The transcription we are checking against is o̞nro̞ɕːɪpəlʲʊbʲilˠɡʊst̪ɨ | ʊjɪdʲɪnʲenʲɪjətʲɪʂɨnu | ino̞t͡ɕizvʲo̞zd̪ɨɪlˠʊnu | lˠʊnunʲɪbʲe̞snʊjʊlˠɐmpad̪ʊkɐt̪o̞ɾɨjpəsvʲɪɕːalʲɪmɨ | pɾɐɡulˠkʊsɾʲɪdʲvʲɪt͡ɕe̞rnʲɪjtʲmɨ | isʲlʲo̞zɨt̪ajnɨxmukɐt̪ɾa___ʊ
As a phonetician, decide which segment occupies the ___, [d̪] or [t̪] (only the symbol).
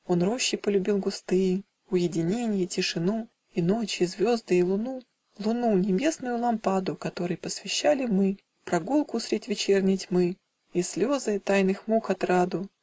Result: d̪